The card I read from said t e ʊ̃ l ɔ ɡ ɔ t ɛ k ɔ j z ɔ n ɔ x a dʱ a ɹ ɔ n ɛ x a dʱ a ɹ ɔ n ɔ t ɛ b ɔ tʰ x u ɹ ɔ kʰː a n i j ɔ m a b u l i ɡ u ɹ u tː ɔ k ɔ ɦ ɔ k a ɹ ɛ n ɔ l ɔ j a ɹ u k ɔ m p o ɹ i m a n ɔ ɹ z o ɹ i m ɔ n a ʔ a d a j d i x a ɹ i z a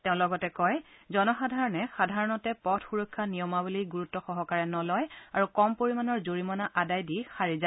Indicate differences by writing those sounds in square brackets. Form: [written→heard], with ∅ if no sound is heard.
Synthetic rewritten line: t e ʊ̃ l ɔ ɡ ɔ t ɛ k ɔ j z ɔ n ɔ x a dʱ a ɹ ɔ n ɛ x a dʱ a ɹ ɔ n ɔ t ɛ [b→p] ɔ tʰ x u ɹ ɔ kʰː a n i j ɔ m a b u l i ɡ u ɹ u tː ɔ [k→x] ɔ ɦ ɔ k a ɹ ɛ n ɔ l ɔ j a ɹ u k ɔ m p o ɹ i m a n ɔ ɹ z o ɹ i m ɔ n a ʔ a d a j d i x a ɹ i z a